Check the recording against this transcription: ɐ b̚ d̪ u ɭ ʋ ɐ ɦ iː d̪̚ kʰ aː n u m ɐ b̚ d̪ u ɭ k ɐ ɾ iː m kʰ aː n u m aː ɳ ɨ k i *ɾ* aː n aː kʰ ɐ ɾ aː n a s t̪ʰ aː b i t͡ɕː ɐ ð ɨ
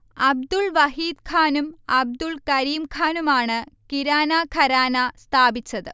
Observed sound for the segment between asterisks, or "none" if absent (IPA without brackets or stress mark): ɾ